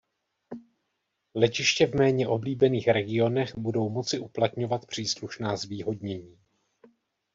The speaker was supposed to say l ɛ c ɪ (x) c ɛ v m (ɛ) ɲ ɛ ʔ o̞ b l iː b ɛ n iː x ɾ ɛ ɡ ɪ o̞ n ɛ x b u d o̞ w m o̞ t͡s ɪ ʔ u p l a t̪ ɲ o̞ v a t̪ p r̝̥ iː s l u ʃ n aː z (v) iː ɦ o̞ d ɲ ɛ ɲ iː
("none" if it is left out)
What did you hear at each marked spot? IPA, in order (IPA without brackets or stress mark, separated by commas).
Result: ʃ, ɛː, v